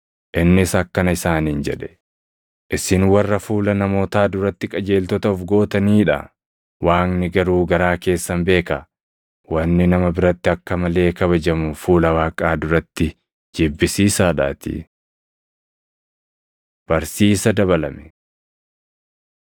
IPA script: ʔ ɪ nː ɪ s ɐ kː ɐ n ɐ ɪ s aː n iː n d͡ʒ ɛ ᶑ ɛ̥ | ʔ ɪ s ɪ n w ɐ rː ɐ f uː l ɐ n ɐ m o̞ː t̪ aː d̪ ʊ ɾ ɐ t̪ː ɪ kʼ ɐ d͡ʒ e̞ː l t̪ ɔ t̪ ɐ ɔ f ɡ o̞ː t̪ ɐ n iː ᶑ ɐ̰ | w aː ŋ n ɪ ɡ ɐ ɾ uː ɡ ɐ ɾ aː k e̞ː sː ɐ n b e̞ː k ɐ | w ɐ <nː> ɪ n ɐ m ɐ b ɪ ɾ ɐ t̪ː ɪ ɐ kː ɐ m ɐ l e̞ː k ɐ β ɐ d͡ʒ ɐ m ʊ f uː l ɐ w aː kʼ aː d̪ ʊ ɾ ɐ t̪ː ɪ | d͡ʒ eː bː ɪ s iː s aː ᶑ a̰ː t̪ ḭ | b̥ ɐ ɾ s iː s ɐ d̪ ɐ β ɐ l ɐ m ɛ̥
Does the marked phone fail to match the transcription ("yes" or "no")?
no